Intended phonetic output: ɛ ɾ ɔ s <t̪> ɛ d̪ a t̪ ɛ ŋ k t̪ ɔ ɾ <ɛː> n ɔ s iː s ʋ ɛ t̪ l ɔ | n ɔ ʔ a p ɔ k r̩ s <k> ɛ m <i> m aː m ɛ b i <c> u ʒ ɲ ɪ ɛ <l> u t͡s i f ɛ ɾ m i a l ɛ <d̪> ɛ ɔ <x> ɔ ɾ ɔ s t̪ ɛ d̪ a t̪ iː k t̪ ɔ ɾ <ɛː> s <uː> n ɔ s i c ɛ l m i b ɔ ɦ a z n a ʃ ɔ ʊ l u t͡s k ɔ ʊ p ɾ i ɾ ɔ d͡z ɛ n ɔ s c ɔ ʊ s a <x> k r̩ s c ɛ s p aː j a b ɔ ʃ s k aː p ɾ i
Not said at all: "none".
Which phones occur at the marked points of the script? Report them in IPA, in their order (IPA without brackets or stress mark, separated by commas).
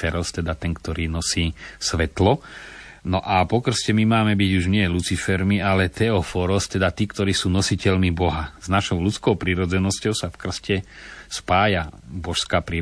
t̪, iː, c, i, ɟ, l, t̪, f, iː, uː, f